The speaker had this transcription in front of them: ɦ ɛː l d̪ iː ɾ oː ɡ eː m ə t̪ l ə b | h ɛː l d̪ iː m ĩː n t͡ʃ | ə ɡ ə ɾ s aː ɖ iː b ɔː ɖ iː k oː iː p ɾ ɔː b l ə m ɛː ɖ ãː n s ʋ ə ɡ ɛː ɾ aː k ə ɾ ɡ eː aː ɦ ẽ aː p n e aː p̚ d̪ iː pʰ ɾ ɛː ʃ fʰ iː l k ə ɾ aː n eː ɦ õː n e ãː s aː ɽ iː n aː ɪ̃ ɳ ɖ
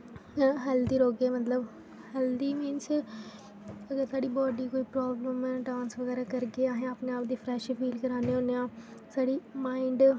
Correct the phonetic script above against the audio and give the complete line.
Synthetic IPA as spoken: ɦ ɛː l d̪ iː ɾ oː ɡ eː m ə t̪ l ə b | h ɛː l d̪ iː m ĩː n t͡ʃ | ə ɡ ə ɾ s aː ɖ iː b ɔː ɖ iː k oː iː p ɾ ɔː b l ə m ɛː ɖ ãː n s ʋ ə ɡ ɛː ɾ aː k ə ɾ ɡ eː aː ɦ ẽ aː p n e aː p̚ d̪ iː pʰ ɾ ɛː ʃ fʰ iː l k ə ɾ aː n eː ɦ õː n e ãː s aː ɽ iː m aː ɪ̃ ɳ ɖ